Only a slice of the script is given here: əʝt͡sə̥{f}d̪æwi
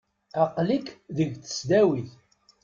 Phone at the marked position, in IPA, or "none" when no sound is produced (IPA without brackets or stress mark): s